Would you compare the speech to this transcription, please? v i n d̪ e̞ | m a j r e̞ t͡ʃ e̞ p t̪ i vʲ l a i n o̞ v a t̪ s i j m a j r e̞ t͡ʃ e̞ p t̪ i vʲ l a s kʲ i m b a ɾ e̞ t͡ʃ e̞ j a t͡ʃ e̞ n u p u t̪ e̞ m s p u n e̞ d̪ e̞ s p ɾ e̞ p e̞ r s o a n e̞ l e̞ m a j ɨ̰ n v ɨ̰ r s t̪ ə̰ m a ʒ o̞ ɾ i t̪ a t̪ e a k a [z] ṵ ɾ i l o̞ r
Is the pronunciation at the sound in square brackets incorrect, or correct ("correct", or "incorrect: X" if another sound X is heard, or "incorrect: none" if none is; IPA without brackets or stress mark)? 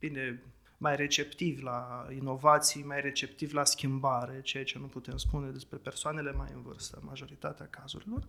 correct